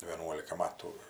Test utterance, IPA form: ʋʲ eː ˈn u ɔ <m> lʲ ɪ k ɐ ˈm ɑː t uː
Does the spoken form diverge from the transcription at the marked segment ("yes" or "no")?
yes